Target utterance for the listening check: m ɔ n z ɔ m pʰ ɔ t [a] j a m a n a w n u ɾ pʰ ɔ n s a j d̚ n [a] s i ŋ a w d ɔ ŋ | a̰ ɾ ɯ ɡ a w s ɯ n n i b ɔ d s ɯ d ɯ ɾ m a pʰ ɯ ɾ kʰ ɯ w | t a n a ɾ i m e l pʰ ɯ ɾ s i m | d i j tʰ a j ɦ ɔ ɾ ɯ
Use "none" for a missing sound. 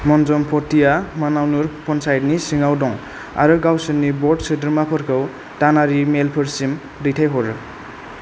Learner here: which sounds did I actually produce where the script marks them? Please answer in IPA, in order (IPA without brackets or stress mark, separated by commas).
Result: i, i